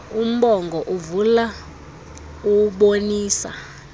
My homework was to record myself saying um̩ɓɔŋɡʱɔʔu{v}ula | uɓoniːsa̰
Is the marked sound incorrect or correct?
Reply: correct